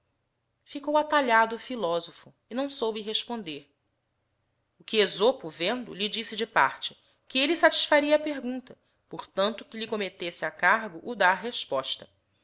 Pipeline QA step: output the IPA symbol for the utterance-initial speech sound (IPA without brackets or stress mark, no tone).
f